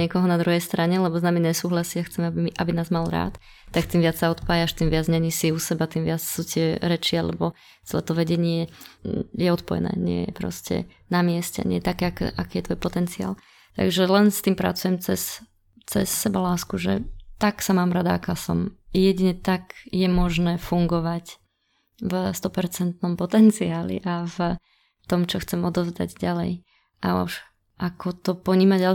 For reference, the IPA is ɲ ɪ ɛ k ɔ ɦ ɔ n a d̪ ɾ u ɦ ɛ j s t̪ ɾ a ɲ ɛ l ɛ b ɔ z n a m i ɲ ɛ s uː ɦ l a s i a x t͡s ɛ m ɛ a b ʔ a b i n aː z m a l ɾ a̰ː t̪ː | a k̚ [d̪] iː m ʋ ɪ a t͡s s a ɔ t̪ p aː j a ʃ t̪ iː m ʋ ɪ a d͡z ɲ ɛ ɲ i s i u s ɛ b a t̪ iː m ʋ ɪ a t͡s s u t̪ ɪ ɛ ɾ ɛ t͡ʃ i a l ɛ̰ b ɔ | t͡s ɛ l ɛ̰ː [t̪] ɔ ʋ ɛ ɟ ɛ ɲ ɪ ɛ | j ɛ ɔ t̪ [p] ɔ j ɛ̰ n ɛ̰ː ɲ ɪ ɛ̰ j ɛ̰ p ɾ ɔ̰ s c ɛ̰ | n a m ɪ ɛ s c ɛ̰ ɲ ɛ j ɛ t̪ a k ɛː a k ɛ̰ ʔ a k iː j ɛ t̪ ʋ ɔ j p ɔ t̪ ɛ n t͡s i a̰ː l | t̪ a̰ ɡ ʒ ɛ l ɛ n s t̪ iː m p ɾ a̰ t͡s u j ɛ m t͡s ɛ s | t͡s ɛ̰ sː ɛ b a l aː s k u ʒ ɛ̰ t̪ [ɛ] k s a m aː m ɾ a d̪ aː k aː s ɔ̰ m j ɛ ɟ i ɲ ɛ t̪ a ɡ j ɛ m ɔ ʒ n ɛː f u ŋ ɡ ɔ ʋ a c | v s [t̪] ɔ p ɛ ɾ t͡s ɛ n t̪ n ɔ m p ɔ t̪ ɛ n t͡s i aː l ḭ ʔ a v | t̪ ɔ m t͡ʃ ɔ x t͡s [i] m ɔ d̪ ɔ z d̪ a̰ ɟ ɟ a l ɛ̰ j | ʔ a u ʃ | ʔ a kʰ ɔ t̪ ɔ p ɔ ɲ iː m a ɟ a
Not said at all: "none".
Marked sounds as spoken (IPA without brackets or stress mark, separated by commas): t̪, t̪, p, a, t̪, ɛ